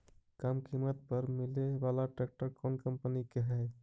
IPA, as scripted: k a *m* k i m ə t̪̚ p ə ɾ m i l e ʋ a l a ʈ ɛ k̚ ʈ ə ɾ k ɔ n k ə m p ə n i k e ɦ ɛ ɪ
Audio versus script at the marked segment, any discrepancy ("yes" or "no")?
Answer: no